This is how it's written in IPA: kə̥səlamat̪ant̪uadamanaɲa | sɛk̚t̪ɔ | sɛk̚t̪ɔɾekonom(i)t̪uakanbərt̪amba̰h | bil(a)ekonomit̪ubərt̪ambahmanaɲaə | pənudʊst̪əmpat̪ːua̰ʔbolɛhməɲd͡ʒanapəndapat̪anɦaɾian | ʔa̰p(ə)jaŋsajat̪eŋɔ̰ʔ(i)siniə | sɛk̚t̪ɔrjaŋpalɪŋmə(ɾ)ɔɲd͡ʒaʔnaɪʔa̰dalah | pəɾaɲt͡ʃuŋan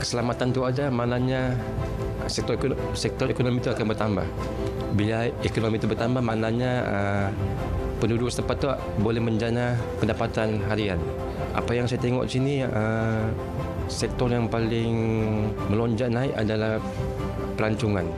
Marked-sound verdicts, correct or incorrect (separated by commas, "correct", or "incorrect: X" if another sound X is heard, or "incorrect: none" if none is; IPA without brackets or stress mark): correct, correct, incorrect: a, correct, incorrect: l